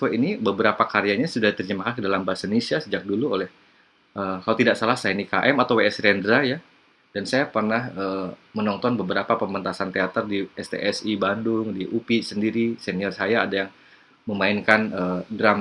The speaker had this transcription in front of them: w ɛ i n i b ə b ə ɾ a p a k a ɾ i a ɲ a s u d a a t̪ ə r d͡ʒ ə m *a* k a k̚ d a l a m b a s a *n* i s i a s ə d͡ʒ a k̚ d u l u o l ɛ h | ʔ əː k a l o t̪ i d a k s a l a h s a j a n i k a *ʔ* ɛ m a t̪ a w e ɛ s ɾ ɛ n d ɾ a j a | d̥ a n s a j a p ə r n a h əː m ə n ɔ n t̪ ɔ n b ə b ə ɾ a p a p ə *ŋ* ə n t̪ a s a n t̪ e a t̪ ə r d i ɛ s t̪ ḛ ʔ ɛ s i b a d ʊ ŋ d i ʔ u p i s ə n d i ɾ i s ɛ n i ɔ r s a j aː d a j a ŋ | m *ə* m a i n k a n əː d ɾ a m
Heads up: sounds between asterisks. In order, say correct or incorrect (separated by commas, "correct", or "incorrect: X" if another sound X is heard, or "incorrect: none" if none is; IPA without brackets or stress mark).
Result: correct, correct, correct, incorrect: m, correct